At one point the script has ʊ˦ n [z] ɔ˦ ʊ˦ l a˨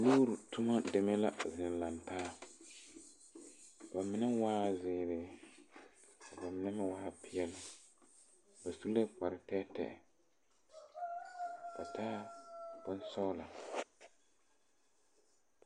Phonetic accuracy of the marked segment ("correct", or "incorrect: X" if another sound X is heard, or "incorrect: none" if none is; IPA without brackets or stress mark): incorrect: s